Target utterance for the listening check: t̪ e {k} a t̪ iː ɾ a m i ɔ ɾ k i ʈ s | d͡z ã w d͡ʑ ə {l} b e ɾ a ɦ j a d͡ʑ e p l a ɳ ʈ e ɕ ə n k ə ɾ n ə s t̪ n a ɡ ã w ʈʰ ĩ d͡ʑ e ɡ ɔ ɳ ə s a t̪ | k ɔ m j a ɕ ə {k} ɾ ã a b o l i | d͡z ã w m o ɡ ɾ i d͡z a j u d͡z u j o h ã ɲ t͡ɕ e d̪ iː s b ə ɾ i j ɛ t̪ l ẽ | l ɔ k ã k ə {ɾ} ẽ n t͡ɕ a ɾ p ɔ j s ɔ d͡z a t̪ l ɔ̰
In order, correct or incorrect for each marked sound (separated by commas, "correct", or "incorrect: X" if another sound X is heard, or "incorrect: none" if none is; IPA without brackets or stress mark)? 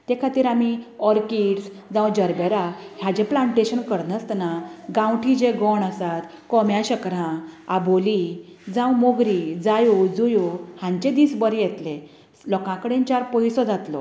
incorrect: kʰ, incorrect: ɾ, correct, incorrect: ɽ